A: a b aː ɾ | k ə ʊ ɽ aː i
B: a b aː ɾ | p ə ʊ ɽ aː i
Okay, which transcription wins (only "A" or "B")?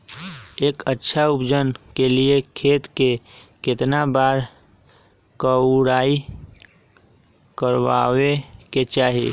A